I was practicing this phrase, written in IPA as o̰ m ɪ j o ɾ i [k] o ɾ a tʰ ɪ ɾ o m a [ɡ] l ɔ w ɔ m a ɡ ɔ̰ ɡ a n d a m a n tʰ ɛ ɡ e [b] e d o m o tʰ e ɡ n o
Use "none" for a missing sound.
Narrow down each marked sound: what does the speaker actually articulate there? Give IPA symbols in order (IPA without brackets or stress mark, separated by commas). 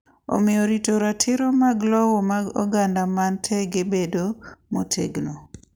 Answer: t, ɡ, b